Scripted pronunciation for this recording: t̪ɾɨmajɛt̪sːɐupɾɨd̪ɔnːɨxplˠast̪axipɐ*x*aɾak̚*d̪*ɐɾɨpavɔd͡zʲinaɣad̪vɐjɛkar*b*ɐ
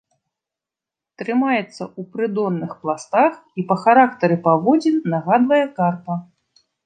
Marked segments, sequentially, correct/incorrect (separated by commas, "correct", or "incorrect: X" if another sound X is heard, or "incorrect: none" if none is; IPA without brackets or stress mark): correct, incorrect: t̪, incorrect: p